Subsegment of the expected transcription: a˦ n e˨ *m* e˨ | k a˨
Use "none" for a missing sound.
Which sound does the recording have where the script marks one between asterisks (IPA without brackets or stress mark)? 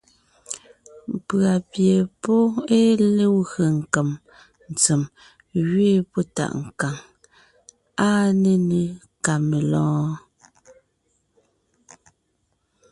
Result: n